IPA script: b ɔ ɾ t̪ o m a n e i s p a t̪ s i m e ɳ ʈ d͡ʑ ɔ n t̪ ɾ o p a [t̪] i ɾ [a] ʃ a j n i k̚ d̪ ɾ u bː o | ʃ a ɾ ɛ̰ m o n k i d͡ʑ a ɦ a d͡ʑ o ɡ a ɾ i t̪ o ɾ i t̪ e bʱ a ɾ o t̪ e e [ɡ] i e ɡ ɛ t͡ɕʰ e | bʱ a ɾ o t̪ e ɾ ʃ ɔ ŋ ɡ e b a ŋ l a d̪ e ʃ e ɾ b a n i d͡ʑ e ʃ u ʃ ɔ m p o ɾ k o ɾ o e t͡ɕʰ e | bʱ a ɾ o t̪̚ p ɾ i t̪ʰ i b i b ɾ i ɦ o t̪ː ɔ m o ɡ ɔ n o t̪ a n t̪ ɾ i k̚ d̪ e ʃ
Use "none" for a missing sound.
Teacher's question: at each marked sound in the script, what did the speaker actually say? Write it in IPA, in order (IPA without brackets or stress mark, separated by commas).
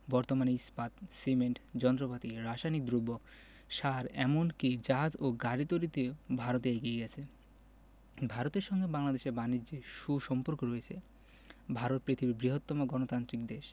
t̪, a, ɡ